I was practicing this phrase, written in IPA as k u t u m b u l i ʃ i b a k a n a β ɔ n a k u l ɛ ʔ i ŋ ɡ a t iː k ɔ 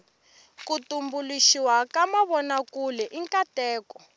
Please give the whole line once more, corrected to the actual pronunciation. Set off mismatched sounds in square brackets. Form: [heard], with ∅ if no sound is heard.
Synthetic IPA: k u t u m b u l i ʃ i [w] a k a [m] a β ɔ n a k u l ɛ ʔ i ŋ [k] a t [ɛː] k ɔ